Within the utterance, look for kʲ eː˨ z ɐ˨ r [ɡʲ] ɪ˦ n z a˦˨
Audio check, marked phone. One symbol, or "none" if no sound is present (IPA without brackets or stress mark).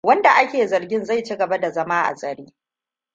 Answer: ɡʲ